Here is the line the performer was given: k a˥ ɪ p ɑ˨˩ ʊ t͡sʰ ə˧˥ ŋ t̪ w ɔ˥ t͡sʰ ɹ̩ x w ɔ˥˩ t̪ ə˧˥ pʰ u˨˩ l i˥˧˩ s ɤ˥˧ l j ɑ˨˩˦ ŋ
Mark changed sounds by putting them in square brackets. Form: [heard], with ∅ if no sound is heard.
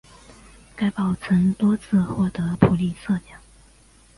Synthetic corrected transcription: k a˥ ɪ p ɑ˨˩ ʊ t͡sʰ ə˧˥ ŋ t̪ w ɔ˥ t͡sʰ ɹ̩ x w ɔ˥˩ t̪ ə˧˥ pʰ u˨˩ l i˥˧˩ s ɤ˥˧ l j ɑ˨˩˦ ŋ